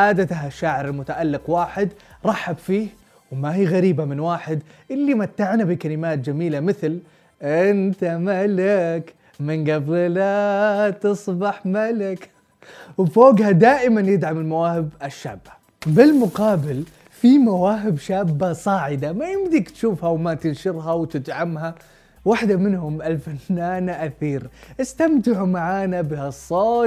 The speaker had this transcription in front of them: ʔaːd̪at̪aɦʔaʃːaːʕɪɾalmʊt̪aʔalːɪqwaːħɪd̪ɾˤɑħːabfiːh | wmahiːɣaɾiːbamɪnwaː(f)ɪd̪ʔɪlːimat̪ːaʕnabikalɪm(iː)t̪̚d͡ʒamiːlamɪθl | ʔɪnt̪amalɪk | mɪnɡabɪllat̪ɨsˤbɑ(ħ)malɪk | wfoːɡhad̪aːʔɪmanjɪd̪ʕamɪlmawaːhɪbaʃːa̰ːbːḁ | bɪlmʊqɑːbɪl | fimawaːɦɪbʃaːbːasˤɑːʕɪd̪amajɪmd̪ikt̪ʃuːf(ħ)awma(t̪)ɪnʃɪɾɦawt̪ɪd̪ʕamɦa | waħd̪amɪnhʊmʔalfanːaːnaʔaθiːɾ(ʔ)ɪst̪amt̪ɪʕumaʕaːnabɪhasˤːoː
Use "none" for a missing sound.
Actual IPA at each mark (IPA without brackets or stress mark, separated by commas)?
ħ, aː, ħ, h, t̪, ʔ